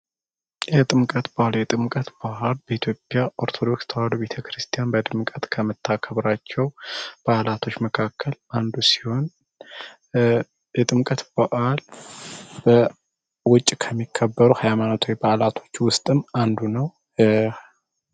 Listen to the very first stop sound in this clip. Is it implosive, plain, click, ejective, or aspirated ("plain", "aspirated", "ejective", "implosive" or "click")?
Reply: ejective